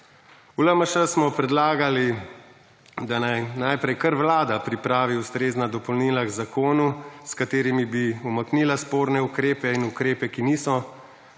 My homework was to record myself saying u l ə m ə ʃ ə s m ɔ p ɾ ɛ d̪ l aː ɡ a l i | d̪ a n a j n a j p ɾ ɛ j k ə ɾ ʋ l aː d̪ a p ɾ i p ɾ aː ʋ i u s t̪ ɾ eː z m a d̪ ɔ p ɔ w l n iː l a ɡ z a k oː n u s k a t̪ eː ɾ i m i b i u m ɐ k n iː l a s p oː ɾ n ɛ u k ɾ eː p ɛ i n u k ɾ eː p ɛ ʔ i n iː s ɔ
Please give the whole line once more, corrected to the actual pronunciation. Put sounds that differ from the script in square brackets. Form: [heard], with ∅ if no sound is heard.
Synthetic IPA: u l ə m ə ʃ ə s m ɔ p ɾ ɛ d̪ l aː ɡ a l i | d̪ a n a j n a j p ɾ ɛ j k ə ɾ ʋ l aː d̪ a p ɾ i p ɾ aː ʋ i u s t̪ ɾ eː z [n] a d̪ ɔ p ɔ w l n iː l a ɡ z a k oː n u s k a t̪ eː ɾ i m i b i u m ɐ k n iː l a s p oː ɾ n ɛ u k ɾ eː p ɛ i n u k ɾ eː p ɛ [k] i n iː s ɔ

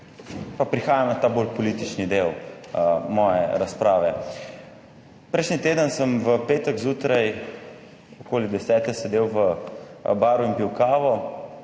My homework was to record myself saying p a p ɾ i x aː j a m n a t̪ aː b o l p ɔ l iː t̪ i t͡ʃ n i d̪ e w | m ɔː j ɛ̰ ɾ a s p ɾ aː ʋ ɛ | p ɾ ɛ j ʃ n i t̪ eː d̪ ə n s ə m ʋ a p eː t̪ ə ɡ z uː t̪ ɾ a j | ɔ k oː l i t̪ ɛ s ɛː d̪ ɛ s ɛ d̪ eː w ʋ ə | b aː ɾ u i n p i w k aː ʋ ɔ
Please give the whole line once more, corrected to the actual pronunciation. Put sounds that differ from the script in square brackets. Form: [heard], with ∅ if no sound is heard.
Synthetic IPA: p a p ɾ i x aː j a m n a t̪ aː b o l p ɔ l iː t̪ i t͡ʃ n i d̪ e w | m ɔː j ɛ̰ ɾ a s p ɾ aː ʋ ɛ | p ɾ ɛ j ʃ n i t̪ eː d̪ ə n s ə m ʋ [ə] p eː t̪ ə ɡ z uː t̪ ɾ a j | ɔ k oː l i [d̪] ɛ s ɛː [t̪] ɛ s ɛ d̪ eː w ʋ ə | b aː ɾ u i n p i w k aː ʋ ɔ

